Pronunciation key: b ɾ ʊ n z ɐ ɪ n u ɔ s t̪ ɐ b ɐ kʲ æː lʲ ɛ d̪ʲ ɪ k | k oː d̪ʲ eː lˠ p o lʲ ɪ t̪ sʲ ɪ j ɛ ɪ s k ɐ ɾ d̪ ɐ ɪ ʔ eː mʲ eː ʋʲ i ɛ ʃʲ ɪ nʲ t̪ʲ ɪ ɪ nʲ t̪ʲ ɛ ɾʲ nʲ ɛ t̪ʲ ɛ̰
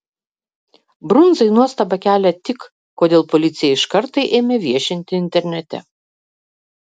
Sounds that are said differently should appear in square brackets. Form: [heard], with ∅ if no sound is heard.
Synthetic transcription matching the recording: b ɾ ʊ n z ɐ ɪ n u ɔ s t̪ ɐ b ɐ kʲ æː lʲ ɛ [t̪ʲ] ɪ k | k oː d̪ʲ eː lˠ p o lʲ ɪ t̪ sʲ ɪ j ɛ ɪ [ʃ] k ɐ ɾ [t̪] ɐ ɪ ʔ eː mʲ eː ʋʲ i ɛ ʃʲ ɪ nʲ t̪ʲ ɪ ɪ nʲ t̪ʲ ɛ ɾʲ nʲ ɛ t̪ʲ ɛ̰